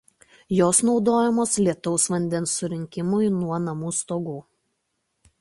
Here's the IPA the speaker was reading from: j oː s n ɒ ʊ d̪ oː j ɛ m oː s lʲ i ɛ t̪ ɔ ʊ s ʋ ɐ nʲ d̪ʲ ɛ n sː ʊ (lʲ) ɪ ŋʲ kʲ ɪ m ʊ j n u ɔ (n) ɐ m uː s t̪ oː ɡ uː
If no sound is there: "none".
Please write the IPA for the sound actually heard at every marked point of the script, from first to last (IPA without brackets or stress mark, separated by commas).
ɾʲ, n